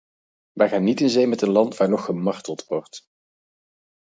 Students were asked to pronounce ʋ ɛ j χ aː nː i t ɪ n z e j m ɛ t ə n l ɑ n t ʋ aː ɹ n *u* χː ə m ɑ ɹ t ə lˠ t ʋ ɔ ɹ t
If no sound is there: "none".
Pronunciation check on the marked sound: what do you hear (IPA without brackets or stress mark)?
ɔ